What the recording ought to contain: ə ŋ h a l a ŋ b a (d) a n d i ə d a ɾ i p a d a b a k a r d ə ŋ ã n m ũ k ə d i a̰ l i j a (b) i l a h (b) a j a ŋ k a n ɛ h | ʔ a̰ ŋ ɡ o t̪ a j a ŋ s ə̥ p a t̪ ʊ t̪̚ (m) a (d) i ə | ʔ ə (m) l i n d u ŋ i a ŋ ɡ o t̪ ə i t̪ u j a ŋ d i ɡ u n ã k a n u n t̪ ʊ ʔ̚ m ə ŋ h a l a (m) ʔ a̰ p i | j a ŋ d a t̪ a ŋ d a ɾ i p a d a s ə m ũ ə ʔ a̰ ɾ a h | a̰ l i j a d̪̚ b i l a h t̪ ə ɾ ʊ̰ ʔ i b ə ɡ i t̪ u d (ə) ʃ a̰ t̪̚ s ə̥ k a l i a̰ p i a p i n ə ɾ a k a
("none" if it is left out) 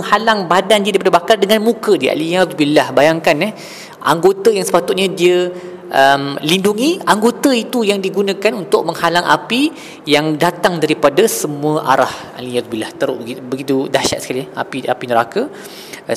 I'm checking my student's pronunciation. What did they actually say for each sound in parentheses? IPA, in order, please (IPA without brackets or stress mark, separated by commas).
d, b, b, ɲ, d, m, ŋ, a